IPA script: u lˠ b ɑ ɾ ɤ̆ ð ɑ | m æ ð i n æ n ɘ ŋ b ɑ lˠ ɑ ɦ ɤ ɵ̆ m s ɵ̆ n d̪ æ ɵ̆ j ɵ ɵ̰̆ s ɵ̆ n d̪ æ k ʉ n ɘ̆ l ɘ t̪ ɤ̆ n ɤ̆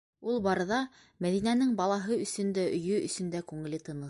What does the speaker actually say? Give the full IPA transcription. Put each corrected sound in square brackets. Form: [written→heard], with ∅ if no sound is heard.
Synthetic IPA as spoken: u lˠ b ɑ ɾ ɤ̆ ð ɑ | m æ ð i n æ n ɘ ŋ b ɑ lˠ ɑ ɦ ɤ ɵ̆ [m→∅] s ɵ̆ n d̪ æ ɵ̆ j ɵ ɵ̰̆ s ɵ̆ n d̪ æ k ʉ [n→ŋ] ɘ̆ l ɘ t̪ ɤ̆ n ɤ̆